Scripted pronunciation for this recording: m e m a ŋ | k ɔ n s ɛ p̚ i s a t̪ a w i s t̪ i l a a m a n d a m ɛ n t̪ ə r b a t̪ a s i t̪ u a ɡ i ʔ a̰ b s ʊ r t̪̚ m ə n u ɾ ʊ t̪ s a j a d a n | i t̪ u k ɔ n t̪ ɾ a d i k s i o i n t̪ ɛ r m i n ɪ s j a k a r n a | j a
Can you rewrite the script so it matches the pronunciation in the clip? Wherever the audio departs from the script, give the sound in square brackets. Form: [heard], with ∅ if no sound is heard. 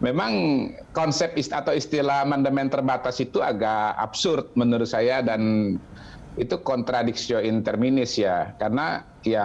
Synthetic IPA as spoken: m e m a ŋ | k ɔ n s ɛ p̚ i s a t̪ a w i s t̪ i l a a m a n d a m ɛ n t̪ ə r b a t̪ a s i t̪ u a ɡ [a] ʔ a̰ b s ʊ r t̪̚ m ə n u ɾ ʊ t̪ s a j a d a n | i t̪ u k ɔ n t̪ ɾ a d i k s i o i n t̪ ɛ r m i n ɪ s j a k a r n a | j a

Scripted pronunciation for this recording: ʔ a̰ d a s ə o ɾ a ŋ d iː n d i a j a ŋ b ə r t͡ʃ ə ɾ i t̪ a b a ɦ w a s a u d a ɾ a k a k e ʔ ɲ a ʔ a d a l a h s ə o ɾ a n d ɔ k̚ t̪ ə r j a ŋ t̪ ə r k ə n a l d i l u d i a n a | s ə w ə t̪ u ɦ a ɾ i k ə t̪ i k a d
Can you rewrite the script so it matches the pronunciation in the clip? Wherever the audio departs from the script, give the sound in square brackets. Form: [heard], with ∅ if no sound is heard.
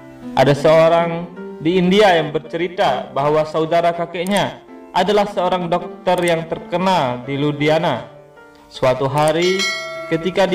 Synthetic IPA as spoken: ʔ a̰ d a s ə o ɾ a ŋ d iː n d i a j a ŋ b ə r t͡ʃ ə ɾ i t̪ a b a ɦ w a s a u d a ɾ a k a k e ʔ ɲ a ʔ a d a l a h s ə o ɾ a [ŋ] d ɔ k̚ t̪ ə r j a ŋ t̪ ə r k ə n a l d i l u d i a n a | s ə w [a] t̪ u ɦ a ɾ i k ə t̪ i k a d

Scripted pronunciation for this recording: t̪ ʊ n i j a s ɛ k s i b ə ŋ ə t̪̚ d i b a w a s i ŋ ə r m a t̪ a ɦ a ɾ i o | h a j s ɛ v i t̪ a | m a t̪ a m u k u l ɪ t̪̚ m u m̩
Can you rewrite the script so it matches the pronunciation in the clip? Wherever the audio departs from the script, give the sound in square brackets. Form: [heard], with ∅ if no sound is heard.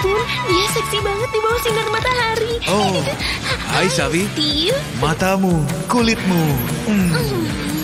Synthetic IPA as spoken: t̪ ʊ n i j a s ɛ k s i b [a] ŋ ə t̪̚ d i b a w a s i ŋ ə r m a t̪ a ɦ a ɾ i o | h a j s [a] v i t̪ [i] | m a t̪ a m u k u l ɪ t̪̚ m u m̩

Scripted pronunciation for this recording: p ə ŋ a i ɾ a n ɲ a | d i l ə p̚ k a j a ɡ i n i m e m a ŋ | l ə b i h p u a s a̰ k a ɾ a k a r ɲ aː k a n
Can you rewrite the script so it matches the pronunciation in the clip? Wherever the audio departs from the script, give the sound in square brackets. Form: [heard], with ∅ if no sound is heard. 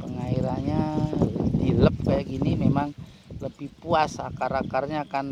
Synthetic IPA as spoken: p ə ŋ a i ɾ a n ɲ a | d i l ə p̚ k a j a ɡ i n i m e m a ŋ | l ə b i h p u a s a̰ k a ɾ a k a r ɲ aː k a n

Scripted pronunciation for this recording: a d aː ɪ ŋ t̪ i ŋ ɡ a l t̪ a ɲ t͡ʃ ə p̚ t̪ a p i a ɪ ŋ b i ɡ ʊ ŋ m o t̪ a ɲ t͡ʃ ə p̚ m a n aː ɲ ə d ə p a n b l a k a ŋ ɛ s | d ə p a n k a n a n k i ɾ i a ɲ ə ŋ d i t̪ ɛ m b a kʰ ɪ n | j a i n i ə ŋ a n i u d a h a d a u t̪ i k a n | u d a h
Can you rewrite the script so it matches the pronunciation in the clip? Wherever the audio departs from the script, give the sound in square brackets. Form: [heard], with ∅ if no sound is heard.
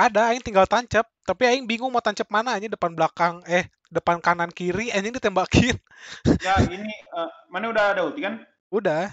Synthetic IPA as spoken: a d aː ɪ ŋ t̪ i ŋ ɡ a l t̪ a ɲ t͡ʃ ə p̚ t̪ a p i a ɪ ŋ b i [ŋ] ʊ ŋ m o t̪ a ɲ t͡ʃ ə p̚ m a n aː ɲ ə d ə p a n b l a k a ŋ ɛ [h] | d ə p a n k a n a n k i ɾ i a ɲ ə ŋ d i t̪ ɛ m b a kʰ ɪ n | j a i n i ə [m] a n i u d a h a d a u t̪ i k a n | u d a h

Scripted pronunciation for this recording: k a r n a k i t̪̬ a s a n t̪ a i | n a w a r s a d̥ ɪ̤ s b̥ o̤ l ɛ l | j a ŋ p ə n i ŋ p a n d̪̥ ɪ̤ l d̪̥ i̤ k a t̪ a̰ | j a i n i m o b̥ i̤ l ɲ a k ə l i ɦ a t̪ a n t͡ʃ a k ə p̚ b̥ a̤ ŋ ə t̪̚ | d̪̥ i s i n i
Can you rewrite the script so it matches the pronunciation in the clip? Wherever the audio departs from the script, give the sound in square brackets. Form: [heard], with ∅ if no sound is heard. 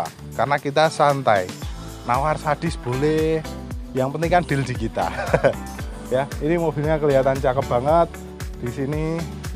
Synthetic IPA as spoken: k a r n a k i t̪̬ a s a n t̪ a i | n a w a r s a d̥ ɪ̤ s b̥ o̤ l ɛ [∅] | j a ŋ p ə n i ŋ [k] a n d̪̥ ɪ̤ l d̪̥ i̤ k [i] t̪ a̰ | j a i n i m o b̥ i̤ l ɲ a k ə l i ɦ a t̪ a n t͡ʃ a k ə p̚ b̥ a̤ ŋ ə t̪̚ | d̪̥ i s i n i

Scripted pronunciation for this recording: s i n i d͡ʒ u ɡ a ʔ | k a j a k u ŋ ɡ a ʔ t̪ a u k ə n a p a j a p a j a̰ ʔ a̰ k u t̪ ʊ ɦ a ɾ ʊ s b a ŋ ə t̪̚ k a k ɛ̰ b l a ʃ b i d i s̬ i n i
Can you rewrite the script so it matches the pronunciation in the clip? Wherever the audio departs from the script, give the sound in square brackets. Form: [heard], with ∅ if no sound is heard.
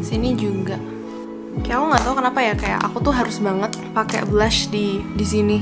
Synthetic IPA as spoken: s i n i d͡ʒ u ɡ a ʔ | k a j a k u ŋ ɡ a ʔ t̪ a u k ə n a p a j a [k] a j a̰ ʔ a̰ k u t̪ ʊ ɦ a ɾ ʊ s b a ŋ ə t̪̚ [p] a k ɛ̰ b l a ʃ [d] i d i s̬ i n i

